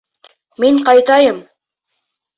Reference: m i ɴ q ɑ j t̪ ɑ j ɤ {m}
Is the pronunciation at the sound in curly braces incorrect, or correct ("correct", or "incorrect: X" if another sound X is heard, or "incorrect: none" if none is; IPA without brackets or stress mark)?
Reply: correct